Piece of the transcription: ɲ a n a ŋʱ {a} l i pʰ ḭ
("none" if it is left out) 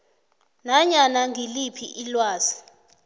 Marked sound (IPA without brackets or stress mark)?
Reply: i